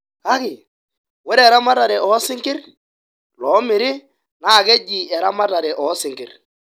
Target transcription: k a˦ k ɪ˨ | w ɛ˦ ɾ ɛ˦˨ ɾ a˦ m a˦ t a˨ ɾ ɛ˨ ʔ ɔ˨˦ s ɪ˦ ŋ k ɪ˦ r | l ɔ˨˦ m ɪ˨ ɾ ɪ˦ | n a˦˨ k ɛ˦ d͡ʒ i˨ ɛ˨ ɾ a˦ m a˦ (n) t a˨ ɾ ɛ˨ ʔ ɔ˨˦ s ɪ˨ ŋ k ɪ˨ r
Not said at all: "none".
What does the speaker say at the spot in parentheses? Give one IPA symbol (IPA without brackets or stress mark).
none